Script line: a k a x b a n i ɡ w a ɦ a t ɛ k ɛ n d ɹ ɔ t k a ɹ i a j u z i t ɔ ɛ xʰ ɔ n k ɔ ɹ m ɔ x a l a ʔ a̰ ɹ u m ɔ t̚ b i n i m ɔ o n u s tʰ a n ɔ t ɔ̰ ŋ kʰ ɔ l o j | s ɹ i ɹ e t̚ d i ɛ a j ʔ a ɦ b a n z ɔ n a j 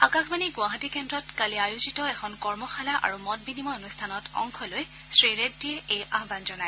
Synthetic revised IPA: a k a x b a n i ɡ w a ɦ a t i k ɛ n d ɹ ɔ t k a l i a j u z i t ɔ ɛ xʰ ɔ n k ɔ ɹ m ɔ x a l a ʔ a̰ ɹ u m ɔ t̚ b i n i m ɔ o n u s tʰ a n ɔ t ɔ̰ ŋ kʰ ɔ l o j | s ɹ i ɹ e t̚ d i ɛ e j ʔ a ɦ b a n z ɔ n a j